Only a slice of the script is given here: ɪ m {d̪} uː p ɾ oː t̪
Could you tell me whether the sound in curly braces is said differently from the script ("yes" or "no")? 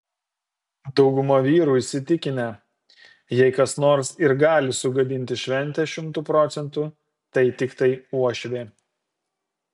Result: yes